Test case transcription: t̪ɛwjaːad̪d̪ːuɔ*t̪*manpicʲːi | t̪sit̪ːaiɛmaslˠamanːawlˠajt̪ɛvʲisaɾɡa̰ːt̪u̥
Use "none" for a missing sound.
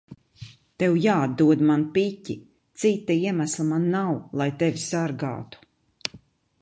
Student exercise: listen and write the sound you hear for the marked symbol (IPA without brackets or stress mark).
d̪